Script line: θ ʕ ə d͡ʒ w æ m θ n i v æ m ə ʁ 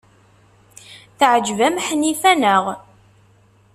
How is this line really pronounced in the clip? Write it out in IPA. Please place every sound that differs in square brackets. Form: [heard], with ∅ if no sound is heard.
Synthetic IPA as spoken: θ ʕ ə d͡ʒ [v] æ m [ħ] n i [f] æ [n] ə ʁ

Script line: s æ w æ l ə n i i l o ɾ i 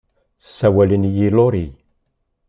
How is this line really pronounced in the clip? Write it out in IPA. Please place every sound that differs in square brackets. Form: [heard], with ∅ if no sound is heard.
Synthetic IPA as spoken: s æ w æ l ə n [j] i l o ɾ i

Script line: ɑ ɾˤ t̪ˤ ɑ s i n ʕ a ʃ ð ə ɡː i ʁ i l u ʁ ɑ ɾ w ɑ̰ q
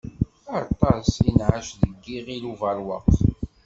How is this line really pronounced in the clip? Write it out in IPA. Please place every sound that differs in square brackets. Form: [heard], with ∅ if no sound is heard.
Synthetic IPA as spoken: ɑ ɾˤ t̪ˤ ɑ s i n ʕ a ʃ ð ə ɡː i ʁ i l u [v] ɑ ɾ w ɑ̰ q

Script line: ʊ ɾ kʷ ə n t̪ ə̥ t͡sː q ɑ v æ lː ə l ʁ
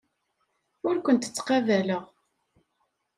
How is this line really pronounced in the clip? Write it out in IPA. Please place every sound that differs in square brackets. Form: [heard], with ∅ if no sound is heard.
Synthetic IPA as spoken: ʊ ɾ kʷ ə n t̪ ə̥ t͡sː q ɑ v æ [l] ə [∅] ʁ

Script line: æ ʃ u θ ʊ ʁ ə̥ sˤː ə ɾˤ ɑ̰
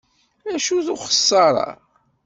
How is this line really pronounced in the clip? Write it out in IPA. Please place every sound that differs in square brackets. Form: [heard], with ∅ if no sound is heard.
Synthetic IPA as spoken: æ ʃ u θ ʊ [χ] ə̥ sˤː [ɑ] ɾˤ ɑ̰

